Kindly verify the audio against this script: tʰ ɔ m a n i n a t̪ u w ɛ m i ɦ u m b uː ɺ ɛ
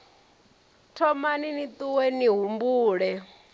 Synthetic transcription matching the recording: tʰ ɔ m a n i n i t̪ u w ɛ n i ɦ u m b uː ɺ ɛ